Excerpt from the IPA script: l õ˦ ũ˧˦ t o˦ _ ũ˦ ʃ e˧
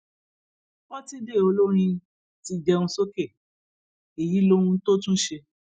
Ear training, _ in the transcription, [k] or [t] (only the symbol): t